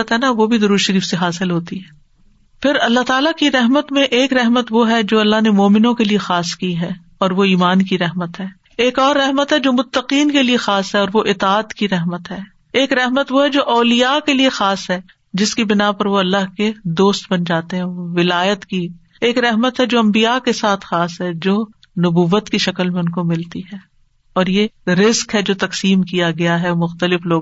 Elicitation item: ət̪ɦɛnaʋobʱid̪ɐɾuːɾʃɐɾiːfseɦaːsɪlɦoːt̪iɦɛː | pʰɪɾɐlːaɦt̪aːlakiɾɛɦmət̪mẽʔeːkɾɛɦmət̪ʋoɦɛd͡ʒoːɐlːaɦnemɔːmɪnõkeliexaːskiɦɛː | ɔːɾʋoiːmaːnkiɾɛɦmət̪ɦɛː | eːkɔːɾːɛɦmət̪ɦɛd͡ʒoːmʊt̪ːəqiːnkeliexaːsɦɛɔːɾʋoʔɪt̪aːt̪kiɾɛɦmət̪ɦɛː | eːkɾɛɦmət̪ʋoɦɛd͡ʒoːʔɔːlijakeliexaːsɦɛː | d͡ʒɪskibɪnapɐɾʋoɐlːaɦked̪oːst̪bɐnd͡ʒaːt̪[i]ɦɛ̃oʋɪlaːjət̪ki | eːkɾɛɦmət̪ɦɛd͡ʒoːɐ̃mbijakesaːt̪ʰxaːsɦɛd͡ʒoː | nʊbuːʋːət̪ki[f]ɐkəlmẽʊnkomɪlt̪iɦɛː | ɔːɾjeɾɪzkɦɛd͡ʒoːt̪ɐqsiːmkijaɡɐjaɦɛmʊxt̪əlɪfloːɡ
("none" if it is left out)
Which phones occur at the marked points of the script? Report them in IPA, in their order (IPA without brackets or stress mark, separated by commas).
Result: e, ʃ